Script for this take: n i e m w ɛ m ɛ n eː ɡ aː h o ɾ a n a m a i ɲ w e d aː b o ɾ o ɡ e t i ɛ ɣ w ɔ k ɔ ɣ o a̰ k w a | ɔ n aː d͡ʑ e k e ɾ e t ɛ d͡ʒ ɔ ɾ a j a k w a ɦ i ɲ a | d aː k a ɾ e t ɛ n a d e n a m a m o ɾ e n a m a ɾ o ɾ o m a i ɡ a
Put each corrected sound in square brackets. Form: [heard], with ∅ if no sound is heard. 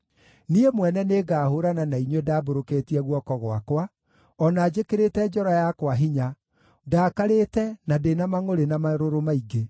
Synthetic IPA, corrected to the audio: n i e m w ɛ [n] ɛ n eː ɡ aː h o ɾ a n a [n] a i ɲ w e d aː b o ɾ o [k] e t i ɛ ɣ w ɔ k ɔ ɣ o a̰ k w a | ɔ n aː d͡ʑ e k e ɾ e t ɛ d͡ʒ ɔ ɾ a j a k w a ɦ i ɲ a | d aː k a ɾ e t ɛ n a d e n a m a [ŋ] o ɾ e n a m a ɾ o ɾ o m a i ɡ [e]